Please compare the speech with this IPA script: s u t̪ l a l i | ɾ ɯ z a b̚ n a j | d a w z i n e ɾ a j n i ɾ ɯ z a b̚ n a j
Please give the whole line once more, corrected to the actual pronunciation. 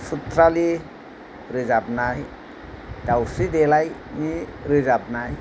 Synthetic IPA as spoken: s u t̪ ɾ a l i | ɾ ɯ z a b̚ n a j | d a w s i d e l a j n i ɾ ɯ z a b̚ n a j